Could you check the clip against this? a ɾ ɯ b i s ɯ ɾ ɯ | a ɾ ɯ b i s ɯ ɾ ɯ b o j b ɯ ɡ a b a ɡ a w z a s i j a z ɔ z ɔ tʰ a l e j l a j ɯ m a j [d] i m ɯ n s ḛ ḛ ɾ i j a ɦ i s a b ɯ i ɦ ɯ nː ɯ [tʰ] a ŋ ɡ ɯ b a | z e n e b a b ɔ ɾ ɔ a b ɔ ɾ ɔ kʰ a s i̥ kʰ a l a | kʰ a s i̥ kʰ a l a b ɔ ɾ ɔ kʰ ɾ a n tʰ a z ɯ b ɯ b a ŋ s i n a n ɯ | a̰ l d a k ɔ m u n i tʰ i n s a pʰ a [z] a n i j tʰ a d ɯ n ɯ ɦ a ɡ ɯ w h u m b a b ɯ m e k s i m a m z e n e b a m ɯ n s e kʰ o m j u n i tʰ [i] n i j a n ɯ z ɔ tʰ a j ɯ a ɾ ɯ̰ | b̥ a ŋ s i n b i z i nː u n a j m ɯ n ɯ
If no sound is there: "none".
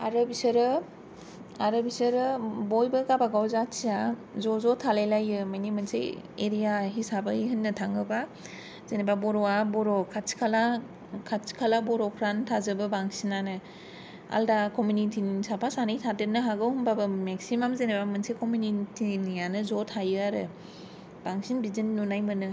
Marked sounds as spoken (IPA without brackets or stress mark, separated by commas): n, tʰ, s, i